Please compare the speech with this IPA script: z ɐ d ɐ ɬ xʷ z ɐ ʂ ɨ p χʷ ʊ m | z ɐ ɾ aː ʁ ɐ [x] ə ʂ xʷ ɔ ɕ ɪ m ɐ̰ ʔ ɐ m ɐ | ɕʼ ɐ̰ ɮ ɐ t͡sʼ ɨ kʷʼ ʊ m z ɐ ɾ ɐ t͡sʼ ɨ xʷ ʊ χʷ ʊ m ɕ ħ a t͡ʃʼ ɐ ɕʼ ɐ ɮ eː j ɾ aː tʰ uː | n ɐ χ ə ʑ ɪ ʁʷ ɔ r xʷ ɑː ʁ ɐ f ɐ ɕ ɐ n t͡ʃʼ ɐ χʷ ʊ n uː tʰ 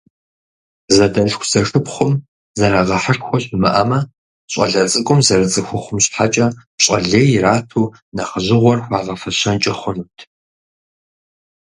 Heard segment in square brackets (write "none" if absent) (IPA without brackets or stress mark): ħ